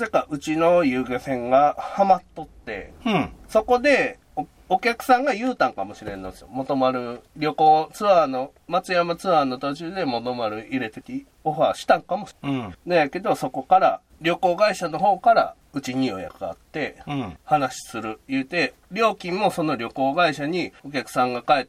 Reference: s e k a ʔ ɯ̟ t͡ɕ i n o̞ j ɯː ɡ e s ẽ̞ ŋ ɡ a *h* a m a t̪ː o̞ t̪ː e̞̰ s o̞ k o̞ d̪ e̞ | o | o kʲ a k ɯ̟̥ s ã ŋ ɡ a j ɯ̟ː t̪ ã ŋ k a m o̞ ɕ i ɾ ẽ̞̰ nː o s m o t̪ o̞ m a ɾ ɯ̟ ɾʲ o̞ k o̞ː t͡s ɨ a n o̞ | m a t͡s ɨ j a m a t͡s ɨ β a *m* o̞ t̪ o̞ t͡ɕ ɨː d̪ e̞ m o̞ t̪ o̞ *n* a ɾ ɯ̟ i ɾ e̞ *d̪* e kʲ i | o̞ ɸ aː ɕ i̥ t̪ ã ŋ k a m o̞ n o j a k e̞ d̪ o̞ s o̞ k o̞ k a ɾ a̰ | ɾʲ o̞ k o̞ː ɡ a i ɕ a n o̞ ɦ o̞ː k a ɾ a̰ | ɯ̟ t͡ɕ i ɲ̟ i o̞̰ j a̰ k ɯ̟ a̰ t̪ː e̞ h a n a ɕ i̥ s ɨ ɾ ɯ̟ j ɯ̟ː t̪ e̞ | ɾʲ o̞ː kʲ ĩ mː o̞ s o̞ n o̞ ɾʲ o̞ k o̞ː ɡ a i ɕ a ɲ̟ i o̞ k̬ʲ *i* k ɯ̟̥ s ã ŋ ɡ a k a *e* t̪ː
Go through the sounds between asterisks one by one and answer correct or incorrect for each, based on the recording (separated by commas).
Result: correct, incorrect, incorrect, incorrect, incorrect, correct